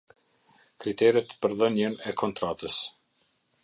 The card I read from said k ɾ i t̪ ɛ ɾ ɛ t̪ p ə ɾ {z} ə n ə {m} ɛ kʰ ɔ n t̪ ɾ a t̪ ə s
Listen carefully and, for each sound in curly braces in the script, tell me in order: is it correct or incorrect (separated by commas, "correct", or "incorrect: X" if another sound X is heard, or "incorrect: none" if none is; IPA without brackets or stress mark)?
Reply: incorrect: ð, incorrect: n